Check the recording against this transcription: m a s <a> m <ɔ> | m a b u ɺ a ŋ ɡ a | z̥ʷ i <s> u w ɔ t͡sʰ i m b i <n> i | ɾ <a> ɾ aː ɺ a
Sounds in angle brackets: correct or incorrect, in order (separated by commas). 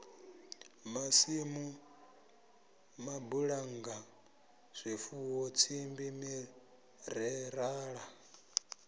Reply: incorrect, incorrect, incorrect, incorrect, incorrect